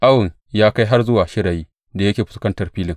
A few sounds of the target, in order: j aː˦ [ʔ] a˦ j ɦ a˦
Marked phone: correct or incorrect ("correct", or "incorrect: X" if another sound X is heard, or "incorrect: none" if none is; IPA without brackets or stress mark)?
incorrect: k